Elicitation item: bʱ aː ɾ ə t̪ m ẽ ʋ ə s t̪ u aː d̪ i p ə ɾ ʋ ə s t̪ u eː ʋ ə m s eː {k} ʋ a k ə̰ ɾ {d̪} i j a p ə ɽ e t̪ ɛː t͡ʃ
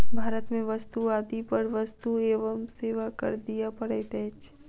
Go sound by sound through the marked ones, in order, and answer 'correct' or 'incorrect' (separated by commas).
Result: incorrect, correct